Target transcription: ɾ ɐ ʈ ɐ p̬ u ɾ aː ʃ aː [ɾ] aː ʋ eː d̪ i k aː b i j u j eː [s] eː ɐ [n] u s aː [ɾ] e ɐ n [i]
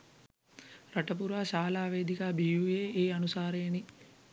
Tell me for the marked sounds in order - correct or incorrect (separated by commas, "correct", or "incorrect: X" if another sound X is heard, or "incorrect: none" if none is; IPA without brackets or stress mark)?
incorrect: l, incorrect: none, correct, correct, correct